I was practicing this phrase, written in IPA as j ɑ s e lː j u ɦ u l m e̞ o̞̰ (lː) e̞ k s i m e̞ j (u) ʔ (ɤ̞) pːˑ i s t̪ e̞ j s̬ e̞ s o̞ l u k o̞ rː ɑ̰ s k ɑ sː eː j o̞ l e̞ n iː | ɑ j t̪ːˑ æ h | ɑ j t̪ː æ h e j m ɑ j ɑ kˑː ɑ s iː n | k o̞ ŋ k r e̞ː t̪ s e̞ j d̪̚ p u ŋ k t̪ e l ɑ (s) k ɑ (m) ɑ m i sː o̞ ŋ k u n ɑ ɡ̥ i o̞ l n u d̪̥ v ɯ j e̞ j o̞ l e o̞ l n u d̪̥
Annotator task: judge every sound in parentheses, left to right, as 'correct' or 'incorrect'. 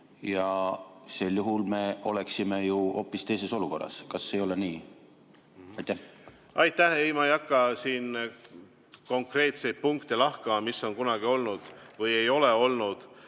incorrect: l, correct, incorrect: o̞, incorrect: h, correct

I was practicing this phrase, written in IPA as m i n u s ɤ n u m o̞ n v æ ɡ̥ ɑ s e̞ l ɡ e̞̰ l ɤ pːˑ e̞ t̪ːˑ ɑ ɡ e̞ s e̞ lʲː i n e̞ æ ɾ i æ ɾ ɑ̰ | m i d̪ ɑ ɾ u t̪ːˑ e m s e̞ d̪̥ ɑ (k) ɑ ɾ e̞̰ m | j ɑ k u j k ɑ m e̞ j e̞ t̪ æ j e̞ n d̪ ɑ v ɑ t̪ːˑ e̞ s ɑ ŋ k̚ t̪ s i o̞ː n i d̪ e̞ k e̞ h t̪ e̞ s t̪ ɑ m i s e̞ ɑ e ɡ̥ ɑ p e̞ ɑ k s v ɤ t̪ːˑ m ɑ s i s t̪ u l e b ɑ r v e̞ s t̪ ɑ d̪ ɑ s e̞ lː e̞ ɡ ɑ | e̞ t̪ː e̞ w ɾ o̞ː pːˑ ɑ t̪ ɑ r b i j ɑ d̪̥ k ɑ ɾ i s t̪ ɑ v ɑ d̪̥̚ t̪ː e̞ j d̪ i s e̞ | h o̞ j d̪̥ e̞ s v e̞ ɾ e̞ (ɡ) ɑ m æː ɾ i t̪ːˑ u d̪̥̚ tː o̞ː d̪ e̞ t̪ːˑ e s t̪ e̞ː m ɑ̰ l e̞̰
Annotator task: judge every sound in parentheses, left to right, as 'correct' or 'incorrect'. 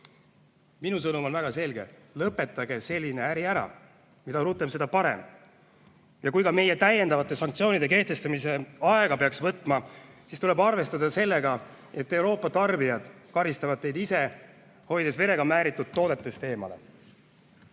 incorrect: p, correct

